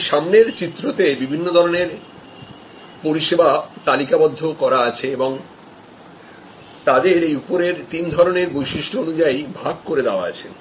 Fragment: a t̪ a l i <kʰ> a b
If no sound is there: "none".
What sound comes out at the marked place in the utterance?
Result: k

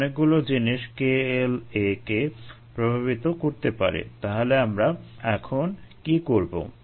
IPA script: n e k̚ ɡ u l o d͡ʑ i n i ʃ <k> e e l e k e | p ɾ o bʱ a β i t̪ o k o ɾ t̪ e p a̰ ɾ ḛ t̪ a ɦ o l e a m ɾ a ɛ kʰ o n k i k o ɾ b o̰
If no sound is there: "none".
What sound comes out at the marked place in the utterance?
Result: k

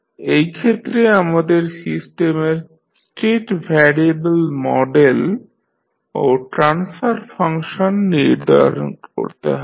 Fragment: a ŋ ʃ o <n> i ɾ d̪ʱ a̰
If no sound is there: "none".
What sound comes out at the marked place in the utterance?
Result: nː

